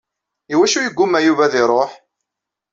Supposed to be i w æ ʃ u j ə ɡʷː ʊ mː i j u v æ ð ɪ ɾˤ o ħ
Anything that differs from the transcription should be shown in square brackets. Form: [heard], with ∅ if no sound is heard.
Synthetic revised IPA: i w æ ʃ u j ə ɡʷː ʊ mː [æ] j u v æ ð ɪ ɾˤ o ħ